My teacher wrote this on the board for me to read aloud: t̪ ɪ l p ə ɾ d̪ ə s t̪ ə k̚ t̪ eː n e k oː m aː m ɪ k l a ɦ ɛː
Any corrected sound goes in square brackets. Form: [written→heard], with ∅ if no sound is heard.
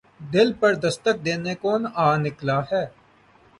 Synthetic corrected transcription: [t̪→d̪] ɪ l p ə ɾ d̪ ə s t̪ ə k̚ [t̪→d̪] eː n e k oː [m→n] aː [m→n] ɪ k l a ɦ ɛː